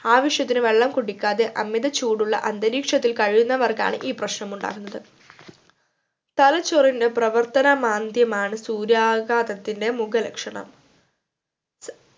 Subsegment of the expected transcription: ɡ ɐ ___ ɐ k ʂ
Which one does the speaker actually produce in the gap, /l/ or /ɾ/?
l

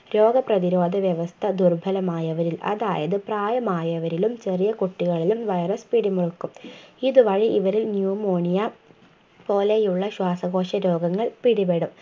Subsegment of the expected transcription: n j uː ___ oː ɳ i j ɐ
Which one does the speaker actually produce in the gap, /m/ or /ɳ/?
m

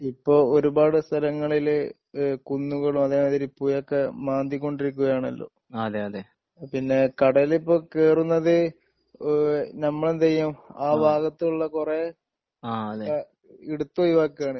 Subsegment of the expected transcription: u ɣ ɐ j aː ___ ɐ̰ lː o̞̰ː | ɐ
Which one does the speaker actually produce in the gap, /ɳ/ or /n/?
ɳ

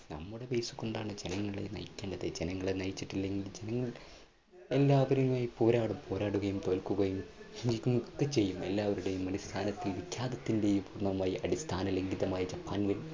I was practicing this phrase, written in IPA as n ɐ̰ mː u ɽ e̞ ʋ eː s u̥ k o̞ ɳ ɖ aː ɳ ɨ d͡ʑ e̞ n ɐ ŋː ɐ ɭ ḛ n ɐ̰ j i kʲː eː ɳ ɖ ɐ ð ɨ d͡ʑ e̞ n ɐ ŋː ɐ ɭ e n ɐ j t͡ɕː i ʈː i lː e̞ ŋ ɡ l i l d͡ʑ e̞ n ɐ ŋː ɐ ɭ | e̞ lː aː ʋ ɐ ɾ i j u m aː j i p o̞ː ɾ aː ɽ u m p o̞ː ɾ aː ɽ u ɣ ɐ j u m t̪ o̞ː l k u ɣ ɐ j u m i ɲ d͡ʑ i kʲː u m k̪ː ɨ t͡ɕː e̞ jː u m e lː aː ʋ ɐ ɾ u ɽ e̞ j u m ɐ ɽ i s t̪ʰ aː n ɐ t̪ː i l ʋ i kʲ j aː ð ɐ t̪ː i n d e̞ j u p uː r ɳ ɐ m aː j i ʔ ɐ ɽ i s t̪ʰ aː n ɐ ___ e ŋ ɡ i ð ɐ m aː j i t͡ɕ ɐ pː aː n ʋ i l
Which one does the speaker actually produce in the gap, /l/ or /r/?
l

